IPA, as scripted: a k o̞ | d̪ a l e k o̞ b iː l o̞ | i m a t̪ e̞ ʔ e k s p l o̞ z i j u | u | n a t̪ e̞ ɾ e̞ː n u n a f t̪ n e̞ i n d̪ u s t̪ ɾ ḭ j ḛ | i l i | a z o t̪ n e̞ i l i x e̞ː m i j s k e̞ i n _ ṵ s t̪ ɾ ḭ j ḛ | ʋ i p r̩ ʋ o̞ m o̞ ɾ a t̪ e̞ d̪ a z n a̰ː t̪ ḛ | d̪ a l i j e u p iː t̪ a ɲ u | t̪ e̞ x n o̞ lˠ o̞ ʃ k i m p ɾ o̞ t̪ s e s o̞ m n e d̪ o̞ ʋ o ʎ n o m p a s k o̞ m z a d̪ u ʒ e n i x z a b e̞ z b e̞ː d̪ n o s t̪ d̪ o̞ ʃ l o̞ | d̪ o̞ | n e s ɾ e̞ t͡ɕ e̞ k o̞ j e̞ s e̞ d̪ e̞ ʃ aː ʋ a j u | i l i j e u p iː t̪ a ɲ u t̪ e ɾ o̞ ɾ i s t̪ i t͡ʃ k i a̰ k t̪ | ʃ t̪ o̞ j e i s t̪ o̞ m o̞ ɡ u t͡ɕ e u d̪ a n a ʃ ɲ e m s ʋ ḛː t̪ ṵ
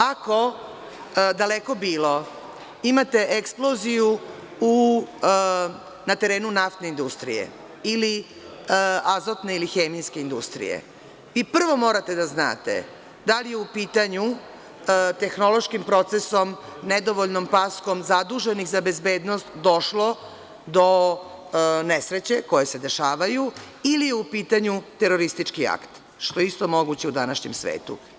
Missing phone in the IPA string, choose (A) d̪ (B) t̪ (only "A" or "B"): A